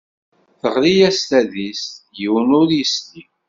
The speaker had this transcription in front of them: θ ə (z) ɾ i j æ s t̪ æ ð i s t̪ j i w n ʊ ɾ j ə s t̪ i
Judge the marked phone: incorrect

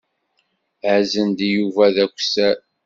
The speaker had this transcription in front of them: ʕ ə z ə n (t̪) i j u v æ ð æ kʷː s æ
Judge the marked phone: incorrect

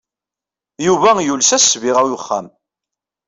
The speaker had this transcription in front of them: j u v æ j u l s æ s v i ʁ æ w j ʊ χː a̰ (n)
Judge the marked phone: incorrect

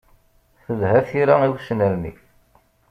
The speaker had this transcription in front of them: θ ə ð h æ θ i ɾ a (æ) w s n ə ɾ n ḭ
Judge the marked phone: incorrect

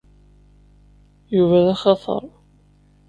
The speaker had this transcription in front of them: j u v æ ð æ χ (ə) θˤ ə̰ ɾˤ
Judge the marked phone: incorrect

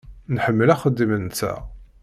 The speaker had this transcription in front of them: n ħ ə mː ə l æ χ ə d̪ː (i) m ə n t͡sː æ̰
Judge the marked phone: correct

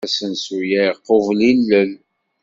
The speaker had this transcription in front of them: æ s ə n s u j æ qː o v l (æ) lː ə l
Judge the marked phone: incorrect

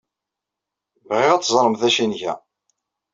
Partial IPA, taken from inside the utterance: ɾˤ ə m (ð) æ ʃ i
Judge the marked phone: incorrect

